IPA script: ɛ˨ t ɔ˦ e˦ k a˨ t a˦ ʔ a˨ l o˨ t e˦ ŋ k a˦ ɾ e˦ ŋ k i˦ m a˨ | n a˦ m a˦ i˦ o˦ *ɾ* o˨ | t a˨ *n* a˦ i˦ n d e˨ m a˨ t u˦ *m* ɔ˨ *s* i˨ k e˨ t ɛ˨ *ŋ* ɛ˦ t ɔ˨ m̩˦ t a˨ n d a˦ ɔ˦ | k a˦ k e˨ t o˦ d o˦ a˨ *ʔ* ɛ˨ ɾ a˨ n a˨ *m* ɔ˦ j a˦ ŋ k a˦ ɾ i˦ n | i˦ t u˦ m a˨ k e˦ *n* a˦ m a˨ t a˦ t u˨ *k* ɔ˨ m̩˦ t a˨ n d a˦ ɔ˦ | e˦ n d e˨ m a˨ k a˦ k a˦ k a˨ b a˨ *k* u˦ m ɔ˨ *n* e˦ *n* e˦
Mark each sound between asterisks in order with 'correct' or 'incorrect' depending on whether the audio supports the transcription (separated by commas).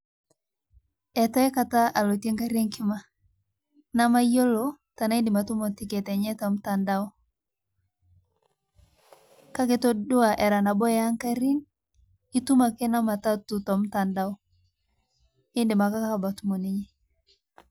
incorrect, correct, correct, incorrect, incorrect, correct, incorrect, correct, incorrect, incorrect, correct, incorrect